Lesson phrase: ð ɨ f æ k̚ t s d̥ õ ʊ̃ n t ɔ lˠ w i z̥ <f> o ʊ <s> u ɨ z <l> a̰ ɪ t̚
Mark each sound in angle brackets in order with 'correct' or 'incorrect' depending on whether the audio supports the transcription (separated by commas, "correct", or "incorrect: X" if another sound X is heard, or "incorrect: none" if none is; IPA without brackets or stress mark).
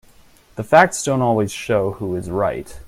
incorrect: ʃ, incorrect: h, incorrect: ɹ